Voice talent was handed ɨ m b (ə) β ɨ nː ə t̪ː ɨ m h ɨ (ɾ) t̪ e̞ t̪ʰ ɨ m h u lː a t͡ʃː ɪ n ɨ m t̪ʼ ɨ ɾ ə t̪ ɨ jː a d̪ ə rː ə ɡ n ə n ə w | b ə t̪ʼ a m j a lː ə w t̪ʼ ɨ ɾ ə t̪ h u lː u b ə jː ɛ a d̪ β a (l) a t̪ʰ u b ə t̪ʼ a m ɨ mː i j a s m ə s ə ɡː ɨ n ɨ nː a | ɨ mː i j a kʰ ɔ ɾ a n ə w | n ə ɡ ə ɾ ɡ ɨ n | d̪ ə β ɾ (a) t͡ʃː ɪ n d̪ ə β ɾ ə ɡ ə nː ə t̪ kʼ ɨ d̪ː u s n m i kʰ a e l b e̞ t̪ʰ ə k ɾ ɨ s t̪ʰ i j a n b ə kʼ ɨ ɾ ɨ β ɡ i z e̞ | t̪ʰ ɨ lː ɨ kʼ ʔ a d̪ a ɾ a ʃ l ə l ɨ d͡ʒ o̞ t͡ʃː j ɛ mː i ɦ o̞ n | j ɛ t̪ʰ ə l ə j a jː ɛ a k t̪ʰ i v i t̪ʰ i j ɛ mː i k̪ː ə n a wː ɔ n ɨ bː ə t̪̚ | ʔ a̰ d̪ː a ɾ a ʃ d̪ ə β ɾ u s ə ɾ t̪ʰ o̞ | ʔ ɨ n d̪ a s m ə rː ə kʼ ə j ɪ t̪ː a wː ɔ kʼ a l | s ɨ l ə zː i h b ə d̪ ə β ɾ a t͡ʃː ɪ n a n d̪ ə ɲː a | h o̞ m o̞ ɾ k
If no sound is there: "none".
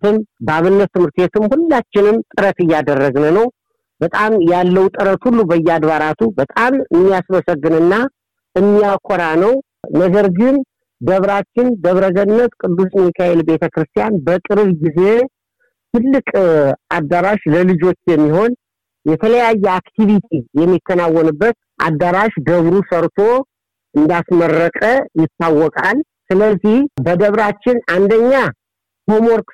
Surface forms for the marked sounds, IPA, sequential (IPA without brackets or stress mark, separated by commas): a, ɾ, ɾ, a